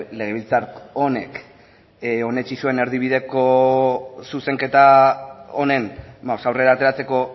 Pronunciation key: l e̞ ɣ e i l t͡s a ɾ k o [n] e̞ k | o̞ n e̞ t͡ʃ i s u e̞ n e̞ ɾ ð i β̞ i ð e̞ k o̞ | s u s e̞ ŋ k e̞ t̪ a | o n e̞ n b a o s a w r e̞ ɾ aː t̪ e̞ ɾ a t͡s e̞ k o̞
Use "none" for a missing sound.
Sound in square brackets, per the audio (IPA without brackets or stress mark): n